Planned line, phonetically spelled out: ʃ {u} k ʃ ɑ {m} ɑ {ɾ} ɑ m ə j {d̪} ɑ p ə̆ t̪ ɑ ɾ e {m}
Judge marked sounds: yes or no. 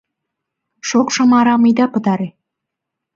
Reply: no, yes, yes, yes, no

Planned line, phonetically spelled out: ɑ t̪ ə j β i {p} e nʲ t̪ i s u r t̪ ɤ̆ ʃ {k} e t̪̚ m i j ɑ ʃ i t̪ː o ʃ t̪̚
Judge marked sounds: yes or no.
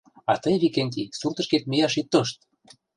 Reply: no, yes

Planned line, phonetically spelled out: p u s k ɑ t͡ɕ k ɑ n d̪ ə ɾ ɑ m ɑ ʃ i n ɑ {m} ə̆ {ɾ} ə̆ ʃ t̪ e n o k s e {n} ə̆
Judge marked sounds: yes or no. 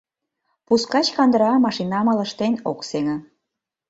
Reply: yes, no, no

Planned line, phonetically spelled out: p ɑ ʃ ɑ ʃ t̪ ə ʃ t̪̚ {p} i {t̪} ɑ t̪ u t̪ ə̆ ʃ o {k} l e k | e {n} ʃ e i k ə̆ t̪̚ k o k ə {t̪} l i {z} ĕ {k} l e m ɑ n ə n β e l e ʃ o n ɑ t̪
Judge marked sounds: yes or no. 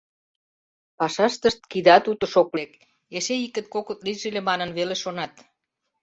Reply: no, no, yes, no, yes, no, no

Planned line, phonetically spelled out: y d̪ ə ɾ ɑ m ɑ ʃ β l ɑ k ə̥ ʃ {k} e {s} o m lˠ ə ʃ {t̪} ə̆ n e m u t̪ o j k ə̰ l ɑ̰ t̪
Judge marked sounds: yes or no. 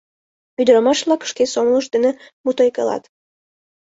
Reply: yes, yes, no

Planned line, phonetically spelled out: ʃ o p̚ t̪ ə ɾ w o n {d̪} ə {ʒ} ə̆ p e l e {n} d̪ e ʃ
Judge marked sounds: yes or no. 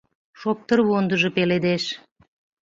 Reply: yes, yes, no

